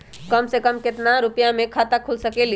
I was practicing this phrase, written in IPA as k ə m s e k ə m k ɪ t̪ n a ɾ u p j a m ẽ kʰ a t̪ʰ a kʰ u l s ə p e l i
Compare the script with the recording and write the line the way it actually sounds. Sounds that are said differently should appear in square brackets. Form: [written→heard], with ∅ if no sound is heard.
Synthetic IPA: k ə m s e k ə m k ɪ t̪ n a ɾ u p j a m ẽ kʰ a [t̪ʰ→t̪] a kʰ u l s ə [p→k] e l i